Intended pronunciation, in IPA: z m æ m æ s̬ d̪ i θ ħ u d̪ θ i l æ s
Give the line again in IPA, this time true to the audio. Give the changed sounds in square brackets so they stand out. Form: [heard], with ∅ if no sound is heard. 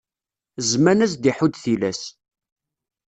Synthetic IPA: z m æ [n] æ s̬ d̪ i [∅] ħ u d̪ θ i l æ s